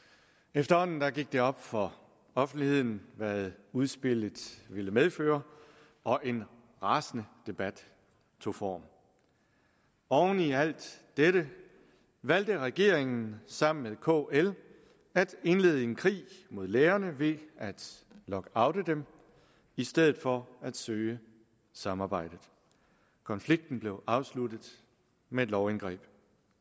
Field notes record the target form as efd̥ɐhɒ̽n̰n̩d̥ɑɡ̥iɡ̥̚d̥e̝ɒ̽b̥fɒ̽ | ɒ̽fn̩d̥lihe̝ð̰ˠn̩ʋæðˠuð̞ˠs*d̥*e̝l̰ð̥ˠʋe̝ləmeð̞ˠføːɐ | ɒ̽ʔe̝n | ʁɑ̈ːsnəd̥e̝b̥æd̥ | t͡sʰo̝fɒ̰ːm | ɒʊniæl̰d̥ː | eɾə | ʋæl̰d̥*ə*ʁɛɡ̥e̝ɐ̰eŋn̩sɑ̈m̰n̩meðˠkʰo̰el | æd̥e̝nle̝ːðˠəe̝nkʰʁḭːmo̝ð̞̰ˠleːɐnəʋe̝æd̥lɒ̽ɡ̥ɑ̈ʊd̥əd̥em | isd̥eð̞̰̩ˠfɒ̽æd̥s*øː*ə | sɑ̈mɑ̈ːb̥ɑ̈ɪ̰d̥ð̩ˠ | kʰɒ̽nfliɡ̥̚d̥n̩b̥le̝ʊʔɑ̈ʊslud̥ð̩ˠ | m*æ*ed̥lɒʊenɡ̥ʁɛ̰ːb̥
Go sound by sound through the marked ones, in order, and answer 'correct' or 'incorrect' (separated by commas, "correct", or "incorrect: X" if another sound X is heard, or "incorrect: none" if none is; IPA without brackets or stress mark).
incorrect: b̥, correct, correct, incorrect: e